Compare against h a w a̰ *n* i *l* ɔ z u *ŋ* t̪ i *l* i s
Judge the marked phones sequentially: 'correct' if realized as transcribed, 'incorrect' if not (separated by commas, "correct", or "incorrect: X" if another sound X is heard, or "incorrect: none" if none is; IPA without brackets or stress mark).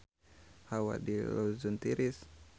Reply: incorrect: d, correct, incorrect: n, incorrect: ɾ